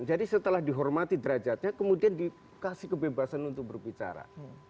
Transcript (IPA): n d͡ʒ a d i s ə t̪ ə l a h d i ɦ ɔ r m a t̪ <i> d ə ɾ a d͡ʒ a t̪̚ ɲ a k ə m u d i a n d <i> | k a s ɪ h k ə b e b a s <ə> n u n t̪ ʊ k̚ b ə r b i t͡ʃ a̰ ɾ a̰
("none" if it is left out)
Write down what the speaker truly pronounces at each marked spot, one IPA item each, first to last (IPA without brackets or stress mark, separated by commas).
i, i, a